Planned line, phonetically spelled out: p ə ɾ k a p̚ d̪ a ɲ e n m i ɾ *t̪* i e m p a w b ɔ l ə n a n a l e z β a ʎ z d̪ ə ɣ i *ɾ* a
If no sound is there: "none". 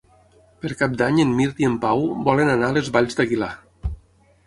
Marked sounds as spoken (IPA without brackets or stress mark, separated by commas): t̪, l